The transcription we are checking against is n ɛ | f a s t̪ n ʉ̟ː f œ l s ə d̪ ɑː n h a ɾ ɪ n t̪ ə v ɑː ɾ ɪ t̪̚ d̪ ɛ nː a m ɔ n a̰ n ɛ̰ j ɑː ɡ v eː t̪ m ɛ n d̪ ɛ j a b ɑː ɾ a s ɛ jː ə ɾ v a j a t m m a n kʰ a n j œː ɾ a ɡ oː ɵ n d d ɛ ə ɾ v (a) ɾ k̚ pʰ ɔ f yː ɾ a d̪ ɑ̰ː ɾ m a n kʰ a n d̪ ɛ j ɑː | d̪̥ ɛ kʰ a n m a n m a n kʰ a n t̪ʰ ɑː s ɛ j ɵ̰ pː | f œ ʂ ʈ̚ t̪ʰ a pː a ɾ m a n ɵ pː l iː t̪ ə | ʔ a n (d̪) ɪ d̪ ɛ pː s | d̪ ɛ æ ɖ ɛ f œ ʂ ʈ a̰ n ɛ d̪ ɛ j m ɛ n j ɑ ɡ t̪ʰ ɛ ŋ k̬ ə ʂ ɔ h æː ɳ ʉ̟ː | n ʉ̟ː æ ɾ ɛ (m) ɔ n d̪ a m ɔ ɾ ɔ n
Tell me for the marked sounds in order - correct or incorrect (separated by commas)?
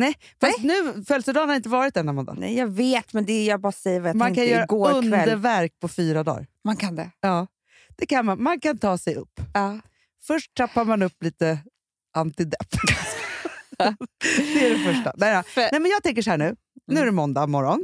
incorrect, incorrect, correct